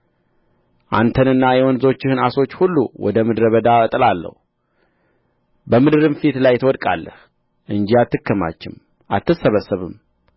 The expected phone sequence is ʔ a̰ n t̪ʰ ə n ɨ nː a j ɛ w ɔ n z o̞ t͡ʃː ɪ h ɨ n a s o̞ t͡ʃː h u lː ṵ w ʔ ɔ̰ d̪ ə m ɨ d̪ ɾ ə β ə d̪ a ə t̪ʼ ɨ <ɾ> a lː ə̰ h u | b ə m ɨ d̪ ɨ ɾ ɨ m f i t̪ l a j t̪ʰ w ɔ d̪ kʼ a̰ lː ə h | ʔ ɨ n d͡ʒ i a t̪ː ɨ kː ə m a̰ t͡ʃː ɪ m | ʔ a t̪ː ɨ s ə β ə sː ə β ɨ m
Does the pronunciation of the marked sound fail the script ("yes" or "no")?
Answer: yes